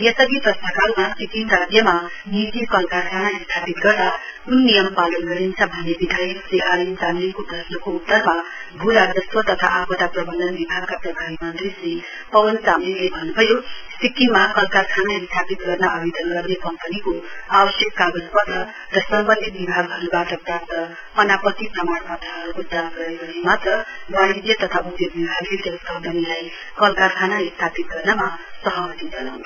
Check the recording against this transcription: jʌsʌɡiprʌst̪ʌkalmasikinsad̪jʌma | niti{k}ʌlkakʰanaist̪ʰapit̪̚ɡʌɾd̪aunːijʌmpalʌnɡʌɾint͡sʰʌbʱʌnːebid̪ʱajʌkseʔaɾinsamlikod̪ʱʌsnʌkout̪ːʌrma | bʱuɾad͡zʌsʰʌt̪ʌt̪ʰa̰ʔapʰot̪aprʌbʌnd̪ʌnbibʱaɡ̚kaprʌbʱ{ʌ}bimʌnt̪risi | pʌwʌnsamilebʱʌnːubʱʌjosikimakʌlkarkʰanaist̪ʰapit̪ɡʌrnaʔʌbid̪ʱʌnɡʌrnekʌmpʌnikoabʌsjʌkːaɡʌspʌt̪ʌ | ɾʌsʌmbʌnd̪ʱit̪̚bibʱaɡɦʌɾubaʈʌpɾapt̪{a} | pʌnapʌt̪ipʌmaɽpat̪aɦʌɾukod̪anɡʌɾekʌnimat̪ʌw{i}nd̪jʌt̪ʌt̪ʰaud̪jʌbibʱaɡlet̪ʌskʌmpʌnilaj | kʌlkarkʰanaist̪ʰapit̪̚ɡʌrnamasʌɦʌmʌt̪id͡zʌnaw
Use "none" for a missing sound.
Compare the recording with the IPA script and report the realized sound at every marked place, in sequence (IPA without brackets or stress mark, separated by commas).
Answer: k, a, ʌ, a